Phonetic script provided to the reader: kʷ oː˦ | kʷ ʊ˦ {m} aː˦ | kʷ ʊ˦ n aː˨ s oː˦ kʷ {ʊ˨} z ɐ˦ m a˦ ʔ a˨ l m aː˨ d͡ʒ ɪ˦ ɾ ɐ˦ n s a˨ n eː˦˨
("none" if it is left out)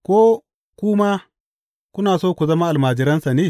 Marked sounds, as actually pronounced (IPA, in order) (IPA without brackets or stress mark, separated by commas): m, u˨